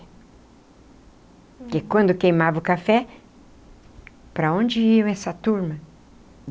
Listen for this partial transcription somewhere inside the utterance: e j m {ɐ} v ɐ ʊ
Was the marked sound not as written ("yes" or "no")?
yes